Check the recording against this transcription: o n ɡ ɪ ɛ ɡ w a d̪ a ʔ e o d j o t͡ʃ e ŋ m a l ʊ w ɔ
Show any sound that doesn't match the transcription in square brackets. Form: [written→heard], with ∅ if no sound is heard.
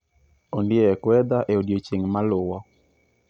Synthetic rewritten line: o n [ɡ→d] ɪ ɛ [ɡ→k] w [a→ɛ] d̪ a ʔ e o d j o t͡ʃ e ŋ m a l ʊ w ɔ